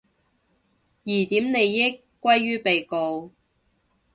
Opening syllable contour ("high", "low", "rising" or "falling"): low